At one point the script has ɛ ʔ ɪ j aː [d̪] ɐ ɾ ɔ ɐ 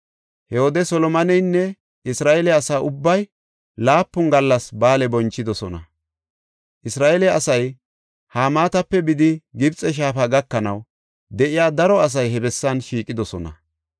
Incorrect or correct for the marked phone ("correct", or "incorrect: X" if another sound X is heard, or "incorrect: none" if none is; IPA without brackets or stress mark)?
correct